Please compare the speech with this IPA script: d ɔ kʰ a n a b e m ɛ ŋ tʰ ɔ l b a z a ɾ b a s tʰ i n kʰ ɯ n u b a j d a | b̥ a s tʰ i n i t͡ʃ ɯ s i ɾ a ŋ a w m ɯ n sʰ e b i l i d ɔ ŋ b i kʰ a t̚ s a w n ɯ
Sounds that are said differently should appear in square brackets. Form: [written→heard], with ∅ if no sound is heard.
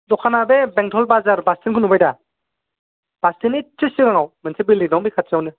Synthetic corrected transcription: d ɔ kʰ a n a b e [m→b] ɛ ŋ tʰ ɔ l b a z a ɾ b a s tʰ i n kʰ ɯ n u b a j d a | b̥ a s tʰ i n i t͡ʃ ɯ s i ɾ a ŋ a w m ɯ n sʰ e b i l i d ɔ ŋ b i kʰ a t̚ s a w n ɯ